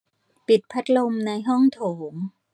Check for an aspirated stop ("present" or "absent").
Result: present